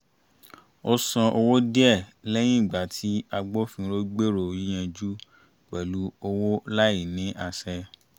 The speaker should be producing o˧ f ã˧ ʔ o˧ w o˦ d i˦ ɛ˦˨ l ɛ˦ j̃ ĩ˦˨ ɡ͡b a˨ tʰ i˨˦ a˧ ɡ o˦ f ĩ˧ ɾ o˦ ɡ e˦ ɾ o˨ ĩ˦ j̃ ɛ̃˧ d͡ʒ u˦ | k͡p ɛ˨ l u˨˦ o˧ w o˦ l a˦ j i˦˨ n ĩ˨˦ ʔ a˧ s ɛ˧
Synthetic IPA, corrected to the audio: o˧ s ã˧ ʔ o˧ w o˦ d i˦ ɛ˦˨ l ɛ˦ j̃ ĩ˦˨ ɡ͡b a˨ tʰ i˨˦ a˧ ɡ͡b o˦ f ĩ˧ ɾ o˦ ɡ͡b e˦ ɾ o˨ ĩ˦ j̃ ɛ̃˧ d͡ʒ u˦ | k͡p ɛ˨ l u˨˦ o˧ w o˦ l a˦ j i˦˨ n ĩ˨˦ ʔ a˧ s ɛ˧

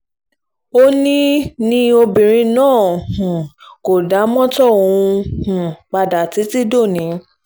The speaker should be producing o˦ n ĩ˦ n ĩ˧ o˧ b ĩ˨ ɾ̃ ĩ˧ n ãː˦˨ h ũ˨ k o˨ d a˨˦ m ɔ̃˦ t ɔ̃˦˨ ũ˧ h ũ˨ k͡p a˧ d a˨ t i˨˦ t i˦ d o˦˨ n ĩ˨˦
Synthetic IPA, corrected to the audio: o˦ n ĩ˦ n ĩ˧ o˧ b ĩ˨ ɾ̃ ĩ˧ n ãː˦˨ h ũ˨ k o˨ d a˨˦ m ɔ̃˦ t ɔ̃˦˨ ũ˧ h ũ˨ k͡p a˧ d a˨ t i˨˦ t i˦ d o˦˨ n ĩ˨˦

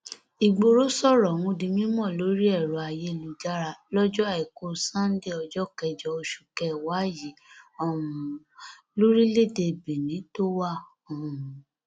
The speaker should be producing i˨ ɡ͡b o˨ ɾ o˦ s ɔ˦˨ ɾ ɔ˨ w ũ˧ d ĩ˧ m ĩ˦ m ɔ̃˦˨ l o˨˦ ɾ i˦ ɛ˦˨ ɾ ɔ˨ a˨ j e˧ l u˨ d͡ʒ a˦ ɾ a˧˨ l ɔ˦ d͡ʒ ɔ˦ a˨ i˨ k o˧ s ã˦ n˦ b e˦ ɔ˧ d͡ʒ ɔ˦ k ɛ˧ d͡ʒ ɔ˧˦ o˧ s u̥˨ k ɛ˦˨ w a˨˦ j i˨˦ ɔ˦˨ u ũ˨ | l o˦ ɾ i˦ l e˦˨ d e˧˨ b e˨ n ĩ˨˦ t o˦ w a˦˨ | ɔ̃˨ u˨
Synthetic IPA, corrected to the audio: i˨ ɡ͡b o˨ ɾ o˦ s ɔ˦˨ ɾ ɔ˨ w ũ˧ d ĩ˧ m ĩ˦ m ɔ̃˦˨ l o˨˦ ɾ i˦ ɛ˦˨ ɾ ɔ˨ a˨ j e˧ l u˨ d͡ʒ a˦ ɾ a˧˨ l ɔ˦ d͡ʒ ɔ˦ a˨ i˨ k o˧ s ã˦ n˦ d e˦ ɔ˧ d͡ʒ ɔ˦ k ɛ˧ d͡ʒ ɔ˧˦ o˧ ʃ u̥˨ k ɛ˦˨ w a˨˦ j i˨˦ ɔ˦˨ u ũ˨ | l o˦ ɾ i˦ l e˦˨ d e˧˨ b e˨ n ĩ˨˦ t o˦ w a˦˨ | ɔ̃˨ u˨

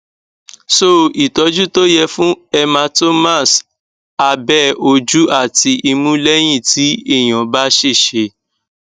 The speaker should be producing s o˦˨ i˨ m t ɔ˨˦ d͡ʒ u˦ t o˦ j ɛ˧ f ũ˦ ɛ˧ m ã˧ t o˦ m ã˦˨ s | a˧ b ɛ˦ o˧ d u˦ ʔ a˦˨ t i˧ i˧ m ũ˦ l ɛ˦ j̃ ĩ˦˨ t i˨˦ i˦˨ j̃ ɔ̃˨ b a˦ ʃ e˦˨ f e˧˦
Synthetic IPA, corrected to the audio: s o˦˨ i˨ t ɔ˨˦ d͡ʒ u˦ t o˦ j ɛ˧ f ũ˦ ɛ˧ m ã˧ t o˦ m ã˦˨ s | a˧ b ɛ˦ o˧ d͡ʒ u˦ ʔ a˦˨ t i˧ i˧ m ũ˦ l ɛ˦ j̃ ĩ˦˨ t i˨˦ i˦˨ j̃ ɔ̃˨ b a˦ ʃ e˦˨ ʃ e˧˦

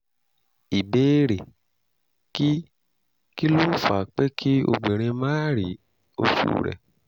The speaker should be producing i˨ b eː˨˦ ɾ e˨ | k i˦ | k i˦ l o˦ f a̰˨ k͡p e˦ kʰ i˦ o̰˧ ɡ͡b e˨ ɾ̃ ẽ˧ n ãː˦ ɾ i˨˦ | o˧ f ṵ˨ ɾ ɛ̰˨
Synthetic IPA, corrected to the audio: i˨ b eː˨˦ ɾ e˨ | k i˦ | k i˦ l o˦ f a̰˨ k͡p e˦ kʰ i˦ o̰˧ ɡ͡b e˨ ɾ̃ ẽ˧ m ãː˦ ɾ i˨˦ | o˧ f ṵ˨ ɾ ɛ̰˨

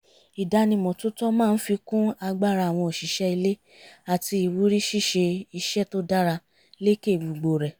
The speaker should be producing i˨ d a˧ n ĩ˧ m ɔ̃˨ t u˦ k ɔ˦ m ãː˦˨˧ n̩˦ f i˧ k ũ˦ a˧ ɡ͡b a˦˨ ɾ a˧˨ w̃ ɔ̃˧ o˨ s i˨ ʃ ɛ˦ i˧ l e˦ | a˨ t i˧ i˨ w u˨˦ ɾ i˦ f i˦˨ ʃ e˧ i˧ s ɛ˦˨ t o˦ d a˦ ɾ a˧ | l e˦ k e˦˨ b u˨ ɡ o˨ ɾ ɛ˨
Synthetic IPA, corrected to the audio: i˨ d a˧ n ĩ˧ m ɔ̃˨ t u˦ t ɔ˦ m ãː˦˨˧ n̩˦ f i˧ k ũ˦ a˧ ɡ͡b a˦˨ ɾ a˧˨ w̃ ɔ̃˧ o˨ ʃ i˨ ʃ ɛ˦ i˧ l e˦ | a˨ t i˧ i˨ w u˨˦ ɾ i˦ ʃ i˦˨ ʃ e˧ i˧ ʃ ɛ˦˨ t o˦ d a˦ ɾ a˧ | l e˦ k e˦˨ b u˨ ɡ͡b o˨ ɾ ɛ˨

